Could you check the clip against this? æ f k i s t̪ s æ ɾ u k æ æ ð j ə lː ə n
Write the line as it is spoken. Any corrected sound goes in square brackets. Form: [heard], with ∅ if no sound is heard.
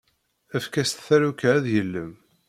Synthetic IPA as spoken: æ f k [æ] s t̪ [θ] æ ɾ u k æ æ ð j ə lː ə [m]